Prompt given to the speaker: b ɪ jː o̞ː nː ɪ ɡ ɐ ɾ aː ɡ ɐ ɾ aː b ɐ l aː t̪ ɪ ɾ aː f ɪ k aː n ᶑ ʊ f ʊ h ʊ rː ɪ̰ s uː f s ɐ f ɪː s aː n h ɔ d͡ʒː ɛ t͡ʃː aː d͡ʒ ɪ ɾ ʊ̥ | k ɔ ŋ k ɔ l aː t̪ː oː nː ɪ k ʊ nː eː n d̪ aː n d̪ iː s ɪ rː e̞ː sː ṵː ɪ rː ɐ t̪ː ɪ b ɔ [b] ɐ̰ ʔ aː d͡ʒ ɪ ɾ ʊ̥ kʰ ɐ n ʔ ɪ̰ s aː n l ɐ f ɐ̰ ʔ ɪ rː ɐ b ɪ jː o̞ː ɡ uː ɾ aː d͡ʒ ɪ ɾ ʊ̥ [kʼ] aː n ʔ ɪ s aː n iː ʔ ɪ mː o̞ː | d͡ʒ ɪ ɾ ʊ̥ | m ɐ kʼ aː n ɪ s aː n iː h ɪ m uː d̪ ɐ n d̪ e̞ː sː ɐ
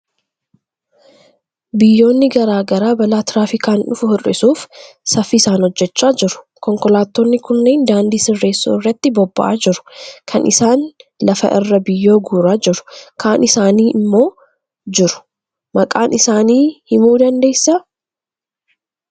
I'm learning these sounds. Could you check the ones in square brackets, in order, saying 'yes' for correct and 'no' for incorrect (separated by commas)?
no, no